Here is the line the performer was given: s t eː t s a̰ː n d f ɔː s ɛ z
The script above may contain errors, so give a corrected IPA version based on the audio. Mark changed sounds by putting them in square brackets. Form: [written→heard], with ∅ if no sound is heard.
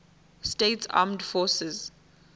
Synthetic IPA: s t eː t s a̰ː [n→m] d f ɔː s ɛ z